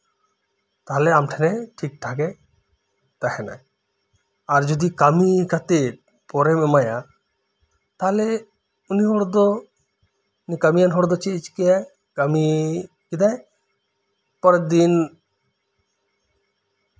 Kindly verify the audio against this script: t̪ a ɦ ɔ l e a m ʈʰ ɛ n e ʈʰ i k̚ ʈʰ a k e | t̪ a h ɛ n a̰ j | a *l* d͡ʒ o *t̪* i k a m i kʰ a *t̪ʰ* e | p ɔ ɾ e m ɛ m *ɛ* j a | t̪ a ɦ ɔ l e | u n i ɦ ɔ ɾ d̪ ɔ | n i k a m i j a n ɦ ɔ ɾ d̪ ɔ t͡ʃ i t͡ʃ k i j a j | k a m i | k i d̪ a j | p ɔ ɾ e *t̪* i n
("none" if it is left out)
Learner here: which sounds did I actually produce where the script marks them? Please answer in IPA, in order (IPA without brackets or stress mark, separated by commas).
ɾ, d̪, t̪, a, d̪